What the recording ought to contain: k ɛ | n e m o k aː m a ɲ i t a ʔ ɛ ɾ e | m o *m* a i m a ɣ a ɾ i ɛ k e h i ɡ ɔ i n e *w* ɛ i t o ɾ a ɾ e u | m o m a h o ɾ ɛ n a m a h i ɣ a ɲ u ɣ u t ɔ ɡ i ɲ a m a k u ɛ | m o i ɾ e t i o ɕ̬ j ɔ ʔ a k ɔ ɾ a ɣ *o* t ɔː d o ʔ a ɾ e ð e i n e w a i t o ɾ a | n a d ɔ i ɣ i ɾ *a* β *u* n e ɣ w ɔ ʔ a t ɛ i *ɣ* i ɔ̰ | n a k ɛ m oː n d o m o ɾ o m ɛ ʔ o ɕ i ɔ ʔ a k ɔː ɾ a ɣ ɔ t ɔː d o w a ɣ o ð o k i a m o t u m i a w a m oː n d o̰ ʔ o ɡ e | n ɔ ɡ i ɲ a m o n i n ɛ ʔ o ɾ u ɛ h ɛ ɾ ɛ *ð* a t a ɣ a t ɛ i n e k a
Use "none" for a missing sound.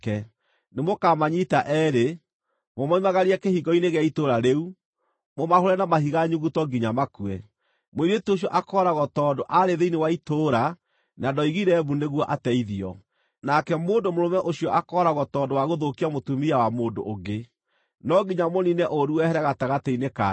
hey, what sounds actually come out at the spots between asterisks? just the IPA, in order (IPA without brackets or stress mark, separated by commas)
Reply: m, ɣ, ɔ, ɛ, u, ð, ɣ